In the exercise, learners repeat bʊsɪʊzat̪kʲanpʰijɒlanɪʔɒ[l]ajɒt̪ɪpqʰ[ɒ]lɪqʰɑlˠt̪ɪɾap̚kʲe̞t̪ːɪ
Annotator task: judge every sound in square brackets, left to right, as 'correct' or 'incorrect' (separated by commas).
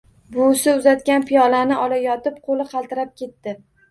correct, incorrect